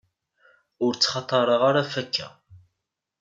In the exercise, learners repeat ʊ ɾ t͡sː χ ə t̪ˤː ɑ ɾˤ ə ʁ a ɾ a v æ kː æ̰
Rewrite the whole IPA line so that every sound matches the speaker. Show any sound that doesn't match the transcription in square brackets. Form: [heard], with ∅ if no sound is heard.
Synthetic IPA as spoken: ʊ ɾ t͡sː χ [ɑ] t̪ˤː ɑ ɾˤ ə ʁ a ɾ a [f] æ kː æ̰